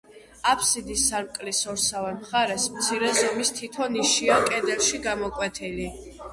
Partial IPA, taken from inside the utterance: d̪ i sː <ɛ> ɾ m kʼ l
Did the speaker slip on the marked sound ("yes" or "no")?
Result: yes